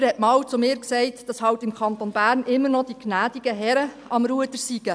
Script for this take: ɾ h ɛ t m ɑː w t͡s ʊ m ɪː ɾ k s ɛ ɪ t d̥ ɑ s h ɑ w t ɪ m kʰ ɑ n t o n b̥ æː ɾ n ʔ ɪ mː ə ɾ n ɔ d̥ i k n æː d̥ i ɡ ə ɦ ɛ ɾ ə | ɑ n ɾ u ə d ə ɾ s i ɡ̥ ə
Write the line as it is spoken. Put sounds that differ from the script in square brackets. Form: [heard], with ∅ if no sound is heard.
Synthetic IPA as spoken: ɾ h ɛ t m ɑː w t͡s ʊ m ɪː ɾ k s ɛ ɪ t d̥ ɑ s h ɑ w t ɪ m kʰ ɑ n t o n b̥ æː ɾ n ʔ ɪ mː ə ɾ n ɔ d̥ i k n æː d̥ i ɡ ə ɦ ɛ ɾ ə | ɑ [m] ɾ u ə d ə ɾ s i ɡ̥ ə